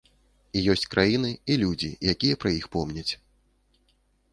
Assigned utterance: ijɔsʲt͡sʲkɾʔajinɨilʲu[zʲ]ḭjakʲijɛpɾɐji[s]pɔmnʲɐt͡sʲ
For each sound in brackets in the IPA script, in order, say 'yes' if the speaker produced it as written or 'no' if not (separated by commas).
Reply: no, no